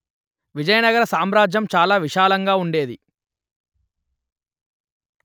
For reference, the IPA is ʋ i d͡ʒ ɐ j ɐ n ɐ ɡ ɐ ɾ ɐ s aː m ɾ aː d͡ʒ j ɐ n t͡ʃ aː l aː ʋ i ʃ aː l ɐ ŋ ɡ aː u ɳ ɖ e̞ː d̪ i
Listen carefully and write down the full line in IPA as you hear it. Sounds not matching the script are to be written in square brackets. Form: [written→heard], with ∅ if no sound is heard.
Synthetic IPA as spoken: ʋ i d͡ʒ ɐ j ɐ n ɐ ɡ ɐ ɾ ɐ s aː m ɾ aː d͡ʒ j ɐ [n→m] t͡ʃ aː l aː ʋ i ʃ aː l ɐ ŋ ɡ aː u ɳ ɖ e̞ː d̪ i